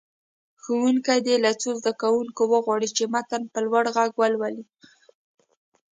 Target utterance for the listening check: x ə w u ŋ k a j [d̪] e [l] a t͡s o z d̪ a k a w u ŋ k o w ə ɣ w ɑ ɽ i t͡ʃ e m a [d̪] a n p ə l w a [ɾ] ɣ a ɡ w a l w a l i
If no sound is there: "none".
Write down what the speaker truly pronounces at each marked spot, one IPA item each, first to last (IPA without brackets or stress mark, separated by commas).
d̪, l, t̪, ɽ